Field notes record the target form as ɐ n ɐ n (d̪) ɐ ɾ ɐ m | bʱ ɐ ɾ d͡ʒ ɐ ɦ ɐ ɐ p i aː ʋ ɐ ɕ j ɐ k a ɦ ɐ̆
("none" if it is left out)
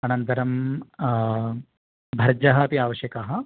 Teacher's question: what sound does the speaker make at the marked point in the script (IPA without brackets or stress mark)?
t̪